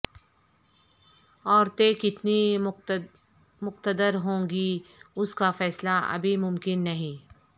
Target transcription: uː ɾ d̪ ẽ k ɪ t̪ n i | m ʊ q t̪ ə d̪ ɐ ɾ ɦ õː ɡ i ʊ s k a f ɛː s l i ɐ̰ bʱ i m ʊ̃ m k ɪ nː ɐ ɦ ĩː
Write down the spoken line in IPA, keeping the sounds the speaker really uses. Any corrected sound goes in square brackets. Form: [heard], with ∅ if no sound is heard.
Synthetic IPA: [ɔː] ɾ [t̪] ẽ k ɪ t̪ n i | m ʊ q t̪ ə d̪ [ə] ɾ ɦ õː ɡ i ʊ s k a f ɛː s l [a] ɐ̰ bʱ i m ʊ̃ m k ɪ nː ɐ ɦ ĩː